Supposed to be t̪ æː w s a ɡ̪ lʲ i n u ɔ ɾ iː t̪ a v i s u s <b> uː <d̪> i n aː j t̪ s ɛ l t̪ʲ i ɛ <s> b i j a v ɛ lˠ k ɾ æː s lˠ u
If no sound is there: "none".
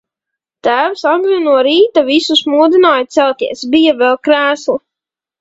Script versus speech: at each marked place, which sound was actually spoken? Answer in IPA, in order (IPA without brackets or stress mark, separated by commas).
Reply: m, d̪, s